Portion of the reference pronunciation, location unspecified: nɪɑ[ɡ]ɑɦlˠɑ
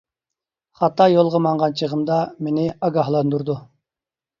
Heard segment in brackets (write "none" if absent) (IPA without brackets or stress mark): ɡ